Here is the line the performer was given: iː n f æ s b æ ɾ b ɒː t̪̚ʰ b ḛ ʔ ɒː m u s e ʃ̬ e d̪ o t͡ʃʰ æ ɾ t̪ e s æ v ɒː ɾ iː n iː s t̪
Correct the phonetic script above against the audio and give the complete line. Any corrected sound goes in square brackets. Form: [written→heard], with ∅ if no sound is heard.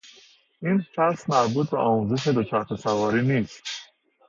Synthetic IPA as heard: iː n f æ s [b→m] æ ɾ b [ɒː→uː] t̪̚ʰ b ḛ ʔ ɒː m u [s→z] e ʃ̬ e d̪ o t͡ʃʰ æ ɾ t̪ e s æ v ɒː ɾ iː n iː s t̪